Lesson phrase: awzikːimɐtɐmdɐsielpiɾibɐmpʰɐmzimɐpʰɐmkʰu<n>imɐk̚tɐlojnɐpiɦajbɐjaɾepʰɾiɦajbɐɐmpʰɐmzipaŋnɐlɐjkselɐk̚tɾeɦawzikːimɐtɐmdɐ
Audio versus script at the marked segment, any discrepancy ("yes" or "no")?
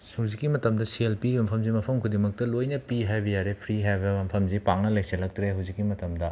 yes